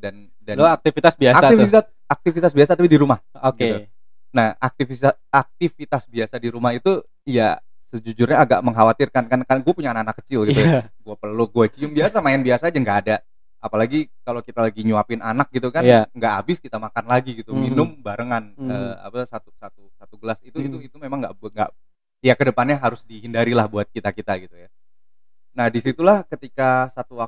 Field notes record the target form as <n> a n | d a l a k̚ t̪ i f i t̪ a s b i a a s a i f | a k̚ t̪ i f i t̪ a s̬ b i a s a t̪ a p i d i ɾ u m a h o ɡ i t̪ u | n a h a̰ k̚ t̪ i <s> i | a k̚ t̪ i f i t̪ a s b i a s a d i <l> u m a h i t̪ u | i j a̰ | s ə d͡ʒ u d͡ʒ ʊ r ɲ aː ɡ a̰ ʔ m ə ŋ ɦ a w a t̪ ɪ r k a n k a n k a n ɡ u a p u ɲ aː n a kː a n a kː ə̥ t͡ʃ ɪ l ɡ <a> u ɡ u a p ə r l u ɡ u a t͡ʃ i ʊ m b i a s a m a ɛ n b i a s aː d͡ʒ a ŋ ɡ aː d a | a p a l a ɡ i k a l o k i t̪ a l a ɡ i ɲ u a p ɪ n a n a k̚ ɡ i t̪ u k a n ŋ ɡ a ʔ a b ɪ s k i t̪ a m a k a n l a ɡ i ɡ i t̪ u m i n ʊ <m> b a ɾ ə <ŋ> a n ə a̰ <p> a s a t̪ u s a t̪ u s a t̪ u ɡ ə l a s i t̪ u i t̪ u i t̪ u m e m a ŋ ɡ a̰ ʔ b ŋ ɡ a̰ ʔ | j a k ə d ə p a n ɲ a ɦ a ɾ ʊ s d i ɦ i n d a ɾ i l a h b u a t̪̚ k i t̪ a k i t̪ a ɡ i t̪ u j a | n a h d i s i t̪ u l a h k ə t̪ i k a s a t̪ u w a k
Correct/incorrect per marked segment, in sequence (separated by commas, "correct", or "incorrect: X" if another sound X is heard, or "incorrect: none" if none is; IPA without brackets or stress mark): incorrect: d, incorrect: f, incorrect: ɾ, incorrect: i, correct, correct, correct